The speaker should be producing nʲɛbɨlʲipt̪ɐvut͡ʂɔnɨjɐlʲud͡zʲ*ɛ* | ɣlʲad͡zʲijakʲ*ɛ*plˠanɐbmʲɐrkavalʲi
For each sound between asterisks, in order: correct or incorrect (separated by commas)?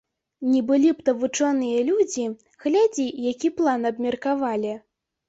incorrect, incorrect